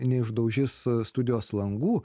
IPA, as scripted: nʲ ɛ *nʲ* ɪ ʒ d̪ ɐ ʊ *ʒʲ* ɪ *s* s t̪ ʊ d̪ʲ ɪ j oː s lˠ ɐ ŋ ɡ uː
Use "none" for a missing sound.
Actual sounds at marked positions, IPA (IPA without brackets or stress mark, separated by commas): none, ʒʲ, s